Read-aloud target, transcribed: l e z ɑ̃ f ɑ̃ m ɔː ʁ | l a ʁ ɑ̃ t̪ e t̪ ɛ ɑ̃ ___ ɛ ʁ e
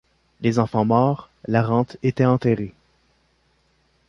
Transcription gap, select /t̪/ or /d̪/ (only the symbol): t̪